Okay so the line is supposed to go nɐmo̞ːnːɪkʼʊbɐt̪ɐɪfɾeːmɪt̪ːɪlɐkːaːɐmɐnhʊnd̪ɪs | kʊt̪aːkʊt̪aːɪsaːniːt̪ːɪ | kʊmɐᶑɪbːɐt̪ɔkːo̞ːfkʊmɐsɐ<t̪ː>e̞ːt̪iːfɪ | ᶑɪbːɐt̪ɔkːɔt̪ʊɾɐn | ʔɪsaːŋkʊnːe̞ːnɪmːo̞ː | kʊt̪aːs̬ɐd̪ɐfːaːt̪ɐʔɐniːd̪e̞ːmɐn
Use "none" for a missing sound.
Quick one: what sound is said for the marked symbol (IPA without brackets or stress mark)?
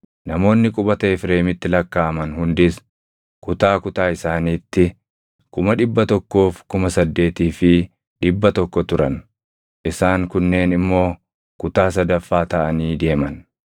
d̪ː